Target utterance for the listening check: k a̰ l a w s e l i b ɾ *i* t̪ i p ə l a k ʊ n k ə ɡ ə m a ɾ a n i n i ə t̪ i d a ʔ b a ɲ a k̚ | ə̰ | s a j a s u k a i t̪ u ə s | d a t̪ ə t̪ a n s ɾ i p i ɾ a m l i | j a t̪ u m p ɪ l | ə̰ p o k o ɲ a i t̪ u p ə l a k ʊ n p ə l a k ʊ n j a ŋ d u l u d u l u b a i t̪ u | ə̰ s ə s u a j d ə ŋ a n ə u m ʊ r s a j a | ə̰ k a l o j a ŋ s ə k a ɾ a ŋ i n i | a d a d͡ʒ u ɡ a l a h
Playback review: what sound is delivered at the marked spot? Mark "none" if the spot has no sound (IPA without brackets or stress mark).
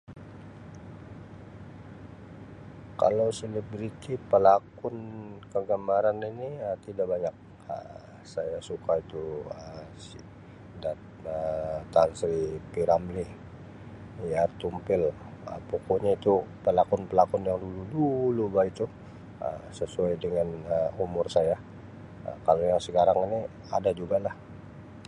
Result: i